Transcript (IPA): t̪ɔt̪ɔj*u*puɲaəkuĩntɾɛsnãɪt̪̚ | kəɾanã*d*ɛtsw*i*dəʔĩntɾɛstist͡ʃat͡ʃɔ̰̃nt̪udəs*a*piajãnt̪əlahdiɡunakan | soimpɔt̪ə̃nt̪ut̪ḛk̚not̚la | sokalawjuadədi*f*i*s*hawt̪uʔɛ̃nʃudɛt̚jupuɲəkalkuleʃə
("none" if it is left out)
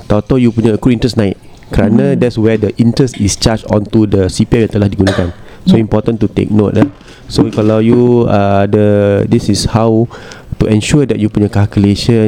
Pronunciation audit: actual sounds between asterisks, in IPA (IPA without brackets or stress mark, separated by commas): u, d, ɛ, i, s, s